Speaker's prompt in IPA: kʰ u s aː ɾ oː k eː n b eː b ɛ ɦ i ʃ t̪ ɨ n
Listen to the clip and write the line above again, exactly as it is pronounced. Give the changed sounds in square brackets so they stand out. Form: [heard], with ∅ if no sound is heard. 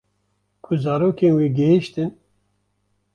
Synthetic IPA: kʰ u [z] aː ɾ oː k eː n [w] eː [ɡ] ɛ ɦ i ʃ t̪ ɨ n